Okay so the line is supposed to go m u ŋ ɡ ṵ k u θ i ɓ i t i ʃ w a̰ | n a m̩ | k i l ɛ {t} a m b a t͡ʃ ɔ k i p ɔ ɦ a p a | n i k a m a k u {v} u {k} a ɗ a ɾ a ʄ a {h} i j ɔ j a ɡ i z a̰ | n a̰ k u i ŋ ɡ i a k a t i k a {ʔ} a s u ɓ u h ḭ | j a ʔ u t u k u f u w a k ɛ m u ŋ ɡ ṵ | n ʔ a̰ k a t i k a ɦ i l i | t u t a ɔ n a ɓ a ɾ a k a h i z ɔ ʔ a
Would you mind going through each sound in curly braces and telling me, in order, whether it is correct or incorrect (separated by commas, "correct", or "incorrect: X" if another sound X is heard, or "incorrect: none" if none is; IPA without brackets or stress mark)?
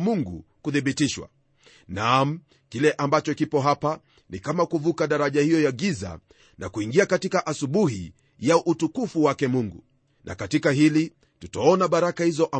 incorrect: ʔ, correct, correct, correct, correct